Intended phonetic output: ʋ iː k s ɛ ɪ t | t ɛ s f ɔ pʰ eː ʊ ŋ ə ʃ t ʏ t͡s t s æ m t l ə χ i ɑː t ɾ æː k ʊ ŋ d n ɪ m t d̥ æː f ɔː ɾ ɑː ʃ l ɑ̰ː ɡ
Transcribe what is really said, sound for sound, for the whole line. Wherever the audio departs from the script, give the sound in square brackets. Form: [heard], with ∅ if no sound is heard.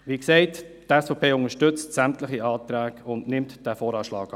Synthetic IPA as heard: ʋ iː k s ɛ ɪ t | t ɛ s f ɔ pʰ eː ʊ ŋ ə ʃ t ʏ t͡s t s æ m t l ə χ i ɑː t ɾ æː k ʊ [n] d n ɪ m t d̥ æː f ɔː ɾ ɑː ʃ l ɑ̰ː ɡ